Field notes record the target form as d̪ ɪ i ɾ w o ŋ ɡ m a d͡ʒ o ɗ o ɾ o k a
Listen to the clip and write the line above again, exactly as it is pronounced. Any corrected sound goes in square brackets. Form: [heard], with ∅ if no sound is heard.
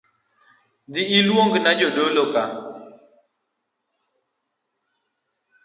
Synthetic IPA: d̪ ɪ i [l] w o ŋ ɡ [n] a d͡ʒ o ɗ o [l] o k a